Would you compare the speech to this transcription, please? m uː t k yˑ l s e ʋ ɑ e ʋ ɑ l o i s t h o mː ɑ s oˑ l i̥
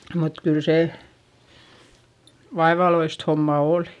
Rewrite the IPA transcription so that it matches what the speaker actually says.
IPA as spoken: m u t k yˑ l s e ʋ ɑ e ʋ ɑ l o i s t h o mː ɑ oˑ l i̥